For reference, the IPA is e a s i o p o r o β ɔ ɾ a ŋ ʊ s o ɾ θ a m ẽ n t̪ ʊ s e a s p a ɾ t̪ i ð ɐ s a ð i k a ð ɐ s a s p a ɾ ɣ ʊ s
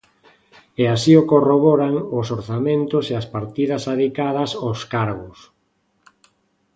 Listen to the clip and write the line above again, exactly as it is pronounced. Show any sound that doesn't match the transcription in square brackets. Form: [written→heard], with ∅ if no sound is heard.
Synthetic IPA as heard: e a s i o [p→k] o r o β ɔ ɾ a ŋ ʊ s o ɾ θ a m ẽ n t̪ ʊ s e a s p a ɾ t̪ i ð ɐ s a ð i k a ð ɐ s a s [p→k] a ɾ ɣ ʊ s